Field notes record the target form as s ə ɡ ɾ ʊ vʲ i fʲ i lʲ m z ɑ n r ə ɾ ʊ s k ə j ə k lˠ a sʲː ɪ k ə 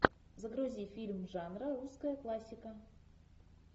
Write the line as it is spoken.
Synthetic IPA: z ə ɡ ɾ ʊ zʲ i fʲ i lʲ m ʐ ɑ n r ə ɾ u s k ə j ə k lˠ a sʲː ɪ k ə